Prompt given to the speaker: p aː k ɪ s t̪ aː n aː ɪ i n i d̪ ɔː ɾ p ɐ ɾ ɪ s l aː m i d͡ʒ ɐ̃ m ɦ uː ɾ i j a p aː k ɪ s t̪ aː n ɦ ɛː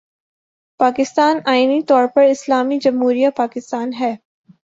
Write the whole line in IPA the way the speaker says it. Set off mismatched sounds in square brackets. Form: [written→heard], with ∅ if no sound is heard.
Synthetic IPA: p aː k ɪ s t̪ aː n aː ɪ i n i [d̪→t̪] ɔː ɾ p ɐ ɾ ɪ s l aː m i d͡ʒ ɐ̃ m ɦ uː ɾ i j a p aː k ɪ s t̪ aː n ɦ ɛː